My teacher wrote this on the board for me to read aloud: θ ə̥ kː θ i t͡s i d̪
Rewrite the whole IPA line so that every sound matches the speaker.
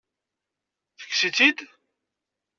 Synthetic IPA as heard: θ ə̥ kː s i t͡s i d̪